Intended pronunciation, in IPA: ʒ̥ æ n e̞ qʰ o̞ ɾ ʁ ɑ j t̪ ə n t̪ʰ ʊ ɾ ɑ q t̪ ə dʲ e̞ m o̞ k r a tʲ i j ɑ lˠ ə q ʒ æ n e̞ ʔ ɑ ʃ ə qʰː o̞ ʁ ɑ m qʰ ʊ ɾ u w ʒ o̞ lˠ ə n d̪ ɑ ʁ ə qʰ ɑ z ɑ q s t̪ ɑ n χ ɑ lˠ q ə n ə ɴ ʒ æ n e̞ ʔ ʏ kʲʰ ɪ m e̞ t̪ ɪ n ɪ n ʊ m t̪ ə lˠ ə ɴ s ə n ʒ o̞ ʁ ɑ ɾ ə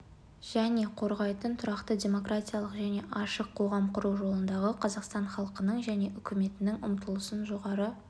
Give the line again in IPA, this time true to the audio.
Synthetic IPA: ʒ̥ æ n e̞ qʰ o̞ ɾ ʁ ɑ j t̪ ə n t̪ʰ ʊ ɾ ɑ q t̪ ə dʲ e̞ m o̞ k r a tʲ i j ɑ lˠ ə q ʒ æ n e̞ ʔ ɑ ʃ ə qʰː o̞ ʁ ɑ m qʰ ʊ ɾ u w ʒ o̞ lˠ ə n d̪ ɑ ʁ ə qʰ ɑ z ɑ q s t̪ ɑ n χ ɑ lˠ q ə n ə ɴ ʒ æ n e̞ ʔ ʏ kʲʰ ɪ m e̞ t̪ ɪ n ɪ ŋ ʊ m t̪ ə lˠ ə s ə n ʒ o̞ ʁ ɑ ɾ ə

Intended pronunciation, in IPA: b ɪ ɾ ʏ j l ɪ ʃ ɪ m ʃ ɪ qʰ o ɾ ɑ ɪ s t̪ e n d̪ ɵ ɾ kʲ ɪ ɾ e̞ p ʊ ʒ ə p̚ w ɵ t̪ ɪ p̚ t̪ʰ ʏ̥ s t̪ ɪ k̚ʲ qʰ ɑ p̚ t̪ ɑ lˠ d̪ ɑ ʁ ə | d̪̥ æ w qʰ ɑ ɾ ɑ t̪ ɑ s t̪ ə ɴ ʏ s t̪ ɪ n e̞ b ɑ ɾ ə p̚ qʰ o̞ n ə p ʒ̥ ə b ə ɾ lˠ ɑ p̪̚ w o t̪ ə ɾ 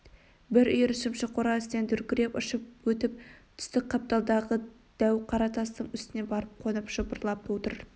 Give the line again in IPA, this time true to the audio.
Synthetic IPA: b ɪ ɾ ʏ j ɾ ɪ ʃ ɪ m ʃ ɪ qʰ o ɾ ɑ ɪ s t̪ e n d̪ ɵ ɾ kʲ ɪ ɾ e̞ p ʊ ʃ ə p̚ w ɵ t̪ ɪ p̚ t̪ʰ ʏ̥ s t̪ ɪ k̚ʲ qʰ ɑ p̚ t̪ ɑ lˠ d̪ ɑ ʁ ə | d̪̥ æ w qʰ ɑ ɾ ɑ t̪ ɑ s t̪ ə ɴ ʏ s t̪ ɪ n e̞ b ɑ ɾ ə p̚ qʰ o̞ n ə p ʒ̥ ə b ə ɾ lˠ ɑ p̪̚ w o t̪ ə ɾ

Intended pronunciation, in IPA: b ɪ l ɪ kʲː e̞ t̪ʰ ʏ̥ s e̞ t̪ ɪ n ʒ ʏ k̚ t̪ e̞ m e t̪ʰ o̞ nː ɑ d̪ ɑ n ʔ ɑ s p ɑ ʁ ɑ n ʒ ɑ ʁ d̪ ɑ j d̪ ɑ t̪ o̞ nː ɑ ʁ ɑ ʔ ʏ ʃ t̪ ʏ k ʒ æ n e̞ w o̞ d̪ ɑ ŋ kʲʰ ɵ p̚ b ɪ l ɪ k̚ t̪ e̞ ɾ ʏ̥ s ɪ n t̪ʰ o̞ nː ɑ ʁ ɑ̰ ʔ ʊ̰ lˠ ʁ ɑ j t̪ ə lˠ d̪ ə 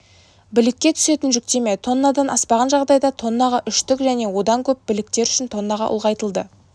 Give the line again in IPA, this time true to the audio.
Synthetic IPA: b ɪ l ɪ kʲː e̞ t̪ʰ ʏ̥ s e̞ t̪ ɪ n ʒ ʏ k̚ t̪ e̞ m e t̪ʰ o̞ nː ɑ d̪ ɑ n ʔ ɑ s p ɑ ʁ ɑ n ʒ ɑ ʁ d̪ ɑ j d̪ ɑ t̪ʰ o̞ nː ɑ ʁ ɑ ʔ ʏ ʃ t̪ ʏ k ʒ æ n e̞ w o̞ d̪ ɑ ŋ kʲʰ ɵ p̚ b ɪ l ɪ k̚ t̪ e̞ ɾ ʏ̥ ʃ ɪ n t̪ʰ o̞ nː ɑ ʁ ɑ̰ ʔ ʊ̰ lˠ ʁ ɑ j t̪ ə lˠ d̪ ə

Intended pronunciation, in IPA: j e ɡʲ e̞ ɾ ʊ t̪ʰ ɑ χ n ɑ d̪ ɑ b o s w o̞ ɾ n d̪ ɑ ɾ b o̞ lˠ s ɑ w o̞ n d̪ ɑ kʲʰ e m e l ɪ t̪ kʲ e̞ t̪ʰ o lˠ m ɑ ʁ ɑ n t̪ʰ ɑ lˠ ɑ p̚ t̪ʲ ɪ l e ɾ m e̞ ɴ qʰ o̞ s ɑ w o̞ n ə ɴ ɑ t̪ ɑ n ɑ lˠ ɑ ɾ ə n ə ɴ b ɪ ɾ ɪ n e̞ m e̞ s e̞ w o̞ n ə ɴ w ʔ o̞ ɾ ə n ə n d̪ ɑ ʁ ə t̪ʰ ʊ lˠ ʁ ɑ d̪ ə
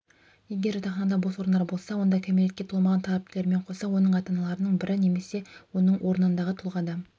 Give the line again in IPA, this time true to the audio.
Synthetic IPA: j e ɡʲ e̞ ɾ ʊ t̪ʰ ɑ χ n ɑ d̪ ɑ b o s w o̞ ɾ n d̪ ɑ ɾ b o̞ lˠ s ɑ w o̞ n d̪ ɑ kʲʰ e m e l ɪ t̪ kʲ e̞ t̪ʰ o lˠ m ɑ ʁ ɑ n t̪ʰ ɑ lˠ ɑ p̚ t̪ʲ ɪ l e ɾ m e̞ ɴ qʰ o̞ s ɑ w o̞ n ə ɴ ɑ t̪ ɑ n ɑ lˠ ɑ ɾ ə n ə ɴ b ɪ ɾ ɪ n e̞ m e̞ s e̞ w o̞ n ə ɴ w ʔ o̞ ɾ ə n ə n d̪ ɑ ʁ ə t̪ʰ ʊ lˠ ʁ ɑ d̪ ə

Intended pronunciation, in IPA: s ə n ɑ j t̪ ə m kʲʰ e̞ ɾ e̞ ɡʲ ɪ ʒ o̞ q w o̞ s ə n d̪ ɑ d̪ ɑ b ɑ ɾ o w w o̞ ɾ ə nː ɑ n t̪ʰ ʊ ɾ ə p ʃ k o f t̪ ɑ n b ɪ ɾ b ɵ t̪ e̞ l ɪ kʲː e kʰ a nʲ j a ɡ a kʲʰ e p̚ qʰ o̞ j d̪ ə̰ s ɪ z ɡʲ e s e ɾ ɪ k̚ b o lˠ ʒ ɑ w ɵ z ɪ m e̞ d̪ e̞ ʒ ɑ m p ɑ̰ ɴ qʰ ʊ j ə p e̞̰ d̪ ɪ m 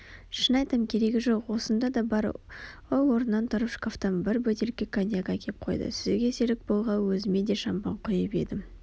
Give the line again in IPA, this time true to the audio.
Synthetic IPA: ʃ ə n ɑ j t̪ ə m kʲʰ e̞ ɾ e̞ ɡʲ ɪ ʒ o̞ q w o̞ s ə n d̪ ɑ d̪ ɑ b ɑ ɾ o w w o̞ ɾ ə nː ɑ n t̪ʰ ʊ ɾ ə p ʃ k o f t̪ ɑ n b ɪ ɾ b ɵ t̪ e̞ l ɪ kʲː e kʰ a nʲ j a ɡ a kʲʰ e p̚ qʰ o̞ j d̪ ə̰ s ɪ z ɡʲ e s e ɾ ɪ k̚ b o lˠ ʁ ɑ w ɵ z ɪ m e̞ d̪ e̞ ʃ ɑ m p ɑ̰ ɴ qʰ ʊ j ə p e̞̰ d̪ ɪ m

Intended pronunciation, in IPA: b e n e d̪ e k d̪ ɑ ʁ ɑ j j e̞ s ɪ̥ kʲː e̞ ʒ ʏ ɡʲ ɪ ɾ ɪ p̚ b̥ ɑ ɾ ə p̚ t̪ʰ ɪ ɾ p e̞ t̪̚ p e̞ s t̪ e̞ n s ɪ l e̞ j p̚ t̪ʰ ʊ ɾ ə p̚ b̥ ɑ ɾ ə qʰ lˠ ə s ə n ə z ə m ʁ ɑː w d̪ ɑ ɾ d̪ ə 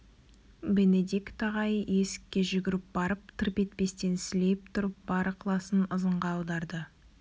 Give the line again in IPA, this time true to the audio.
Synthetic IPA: b e n e d̪ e k t̪ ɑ ʁ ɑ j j e̞ s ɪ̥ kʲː e̞ ʒ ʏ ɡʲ ɪ ɾ ɪ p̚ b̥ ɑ ɾ ə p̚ t̪ʰ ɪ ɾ p e̞ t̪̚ p e̞ s t̪ e̞ n s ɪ l e̞ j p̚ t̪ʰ ʊ ɾ ə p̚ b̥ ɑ ɾ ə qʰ lˠ ɑ s ə n ə z ə ɴ ʁ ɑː w d̪ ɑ ɾ d̪ ə

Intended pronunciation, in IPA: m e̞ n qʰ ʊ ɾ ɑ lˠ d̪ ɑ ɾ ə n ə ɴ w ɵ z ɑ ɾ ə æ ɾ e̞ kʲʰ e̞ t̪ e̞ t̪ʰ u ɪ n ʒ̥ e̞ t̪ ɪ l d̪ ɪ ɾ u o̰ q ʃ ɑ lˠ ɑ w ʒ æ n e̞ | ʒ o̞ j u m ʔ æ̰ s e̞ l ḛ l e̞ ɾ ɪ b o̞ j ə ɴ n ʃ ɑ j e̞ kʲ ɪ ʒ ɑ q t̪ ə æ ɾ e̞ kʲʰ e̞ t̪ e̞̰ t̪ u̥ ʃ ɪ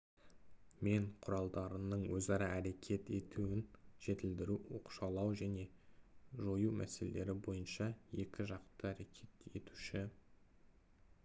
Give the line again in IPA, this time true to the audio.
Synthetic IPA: m e̞ ɴ qʰ ʊ ɾ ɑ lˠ d̪ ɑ ɾ ə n ə ɴ w ɵ z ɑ ɾ ɑ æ ɾ e̞ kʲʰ e̞ t̪ e̞ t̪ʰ u ɪ n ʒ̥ e̞ t̪ ɪ l d̪ ɪ ɾ u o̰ q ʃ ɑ lˠ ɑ w ʒ æ n e̞ | ʒ o̞ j u m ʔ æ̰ s e̞ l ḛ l e̞ ɾ ɪ b o̞ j ə n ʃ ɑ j e̞ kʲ ɪ ʒ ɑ q t̪ ə æ ɾ e̞ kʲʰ e̞ t̪ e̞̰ t̪ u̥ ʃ ɪ

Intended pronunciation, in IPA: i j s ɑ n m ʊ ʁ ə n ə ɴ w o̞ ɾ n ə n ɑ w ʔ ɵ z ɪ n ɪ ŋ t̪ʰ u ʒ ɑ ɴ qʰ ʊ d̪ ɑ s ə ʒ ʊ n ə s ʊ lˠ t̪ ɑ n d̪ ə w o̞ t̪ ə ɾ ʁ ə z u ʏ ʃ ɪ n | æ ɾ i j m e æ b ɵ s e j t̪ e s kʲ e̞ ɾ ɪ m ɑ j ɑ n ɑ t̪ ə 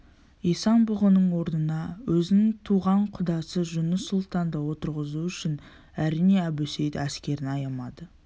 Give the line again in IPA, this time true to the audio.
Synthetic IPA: i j s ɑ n b ʊ ʁ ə n ə ɴ w o̞ ɾ n ə n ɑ w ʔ ɵ z ɪ n ɪ ŋ t̪ʰ u ʁ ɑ ɴ qʰ ʊ d̪ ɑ s ə ʒ ʊ n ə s ʊ lˠ t̪ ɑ n d̪ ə w o̞ t̪ ə ɾ ʁ ə z u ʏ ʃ ɪ n | æ ɾ i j n e æ b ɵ s e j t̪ æ s kʲ e̞ ɾ ɪ n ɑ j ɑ m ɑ d̪ ə

